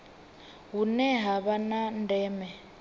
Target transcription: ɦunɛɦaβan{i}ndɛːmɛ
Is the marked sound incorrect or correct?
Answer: incorrect